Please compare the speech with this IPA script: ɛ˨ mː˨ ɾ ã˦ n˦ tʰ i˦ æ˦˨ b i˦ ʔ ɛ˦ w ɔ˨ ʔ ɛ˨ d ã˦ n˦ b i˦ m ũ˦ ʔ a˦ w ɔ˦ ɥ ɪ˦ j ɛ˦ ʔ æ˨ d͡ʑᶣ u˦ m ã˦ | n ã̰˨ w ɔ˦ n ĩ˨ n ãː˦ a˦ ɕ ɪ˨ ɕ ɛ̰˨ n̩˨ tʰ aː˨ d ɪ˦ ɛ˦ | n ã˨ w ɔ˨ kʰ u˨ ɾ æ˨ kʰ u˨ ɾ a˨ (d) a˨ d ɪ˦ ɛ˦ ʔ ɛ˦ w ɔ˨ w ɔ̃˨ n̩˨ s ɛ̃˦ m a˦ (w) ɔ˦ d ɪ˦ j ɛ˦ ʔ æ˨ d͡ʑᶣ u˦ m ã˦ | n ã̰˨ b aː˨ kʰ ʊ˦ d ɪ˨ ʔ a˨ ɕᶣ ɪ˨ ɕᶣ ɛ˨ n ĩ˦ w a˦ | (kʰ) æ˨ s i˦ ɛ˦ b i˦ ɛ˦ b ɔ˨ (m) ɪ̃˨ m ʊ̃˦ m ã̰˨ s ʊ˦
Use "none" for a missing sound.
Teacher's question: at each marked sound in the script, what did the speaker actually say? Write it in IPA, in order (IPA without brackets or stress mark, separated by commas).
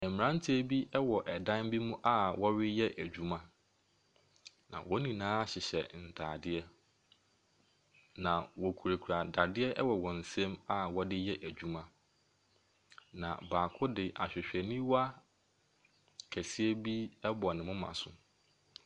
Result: d, w, kʰ, n